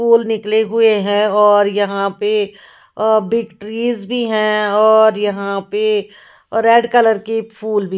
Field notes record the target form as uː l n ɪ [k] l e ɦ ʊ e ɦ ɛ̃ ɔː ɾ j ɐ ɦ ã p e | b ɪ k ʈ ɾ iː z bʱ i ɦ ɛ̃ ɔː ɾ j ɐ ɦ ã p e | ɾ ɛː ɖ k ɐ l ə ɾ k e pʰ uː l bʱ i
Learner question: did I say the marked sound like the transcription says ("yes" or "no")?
yes